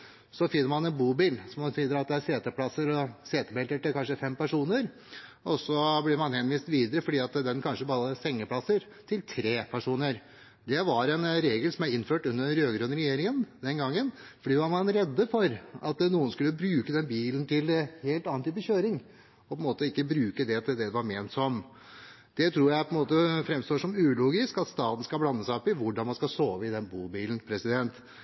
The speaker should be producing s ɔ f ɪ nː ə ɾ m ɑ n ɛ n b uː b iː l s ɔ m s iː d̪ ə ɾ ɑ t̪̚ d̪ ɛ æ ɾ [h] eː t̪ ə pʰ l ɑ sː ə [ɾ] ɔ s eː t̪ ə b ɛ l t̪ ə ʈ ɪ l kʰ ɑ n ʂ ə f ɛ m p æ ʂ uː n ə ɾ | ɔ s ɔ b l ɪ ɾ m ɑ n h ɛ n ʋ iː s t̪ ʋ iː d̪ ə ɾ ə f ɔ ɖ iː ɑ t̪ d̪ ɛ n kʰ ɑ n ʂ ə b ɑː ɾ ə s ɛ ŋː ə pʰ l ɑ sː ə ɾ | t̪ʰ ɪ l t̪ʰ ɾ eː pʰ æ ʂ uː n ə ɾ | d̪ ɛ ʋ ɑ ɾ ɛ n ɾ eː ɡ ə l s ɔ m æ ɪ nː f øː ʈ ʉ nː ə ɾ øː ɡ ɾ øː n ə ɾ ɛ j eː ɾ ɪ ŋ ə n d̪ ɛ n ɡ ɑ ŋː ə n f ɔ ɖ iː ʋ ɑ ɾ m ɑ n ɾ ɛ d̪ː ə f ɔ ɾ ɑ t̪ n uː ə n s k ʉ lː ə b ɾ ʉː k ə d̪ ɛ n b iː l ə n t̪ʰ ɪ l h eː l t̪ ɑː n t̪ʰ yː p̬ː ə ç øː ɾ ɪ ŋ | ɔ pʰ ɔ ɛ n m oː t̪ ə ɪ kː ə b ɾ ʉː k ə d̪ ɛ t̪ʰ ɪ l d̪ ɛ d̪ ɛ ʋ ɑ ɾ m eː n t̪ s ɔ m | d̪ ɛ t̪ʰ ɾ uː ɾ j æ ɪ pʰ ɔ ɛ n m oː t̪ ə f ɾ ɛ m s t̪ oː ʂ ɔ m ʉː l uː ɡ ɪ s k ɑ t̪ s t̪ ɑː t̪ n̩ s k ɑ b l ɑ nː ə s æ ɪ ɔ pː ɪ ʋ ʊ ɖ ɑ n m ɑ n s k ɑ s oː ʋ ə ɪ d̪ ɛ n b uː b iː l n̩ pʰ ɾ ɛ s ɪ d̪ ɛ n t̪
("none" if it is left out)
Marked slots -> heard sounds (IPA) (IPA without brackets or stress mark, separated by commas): s, ɾ